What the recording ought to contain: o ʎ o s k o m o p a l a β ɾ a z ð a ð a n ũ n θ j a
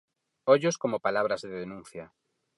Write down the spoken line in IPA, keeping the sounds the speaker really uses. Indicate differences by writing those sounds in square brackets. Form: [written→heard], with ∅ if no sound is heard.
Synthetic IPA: o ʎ o s k o m o p a l a β ɾ a z ð [a→e] ð [a→e] n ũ n θ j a